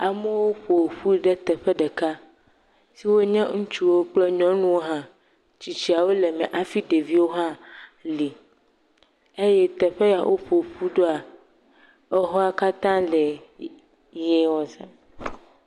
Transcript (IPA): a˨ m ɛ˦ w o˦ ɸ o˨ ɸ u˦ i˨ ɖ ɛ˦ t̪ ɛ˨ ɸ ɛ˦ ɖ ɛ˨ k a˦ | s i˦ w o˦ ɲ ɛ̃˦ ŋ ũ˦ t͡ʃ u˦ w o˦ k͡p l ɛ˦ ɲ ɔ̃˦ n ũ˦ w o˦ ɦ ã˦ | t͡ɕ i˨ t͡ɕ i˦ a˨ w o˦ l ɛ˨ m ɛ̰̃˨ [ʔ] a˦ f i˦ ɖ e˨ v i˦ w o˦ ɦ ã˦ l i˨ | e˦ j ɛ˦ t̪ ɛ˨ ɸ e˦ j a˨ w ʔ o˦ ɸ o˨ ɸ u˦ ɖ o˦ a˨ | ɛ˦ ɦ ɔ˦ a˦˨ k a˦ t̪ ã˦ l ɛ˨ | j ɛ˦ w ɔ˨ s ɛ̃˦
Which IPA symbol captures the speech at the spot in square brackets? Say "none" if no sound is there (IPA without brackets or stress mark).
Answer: ʔ